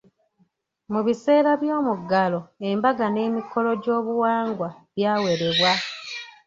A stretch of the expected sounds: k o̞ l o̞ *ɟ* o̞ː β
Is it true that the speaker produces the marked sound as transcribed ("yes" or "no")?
yes